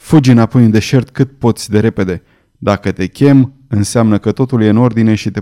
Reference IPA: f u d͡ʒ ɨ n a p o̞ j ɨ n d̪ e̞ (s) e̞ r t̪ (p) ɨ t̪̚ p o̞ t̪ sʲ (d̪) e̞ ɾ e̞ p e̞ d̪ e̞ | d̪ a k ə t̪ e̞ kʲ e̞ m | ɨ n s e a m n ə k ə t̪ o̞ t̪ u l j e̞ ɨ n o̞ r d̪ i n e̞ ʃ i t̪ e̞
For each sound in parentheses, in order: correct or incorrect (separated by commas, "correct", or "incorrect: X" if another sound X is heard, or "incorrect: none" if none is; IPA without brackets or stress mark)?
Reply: incorrect: ʃ, incorrect: k, correct